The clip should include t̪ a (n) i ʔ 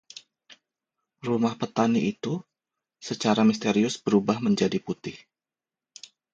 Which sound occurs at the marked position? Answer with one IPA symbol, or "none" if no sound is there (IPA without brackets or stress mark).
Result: n